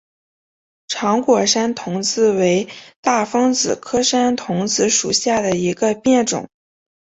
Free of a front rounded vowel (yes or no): yes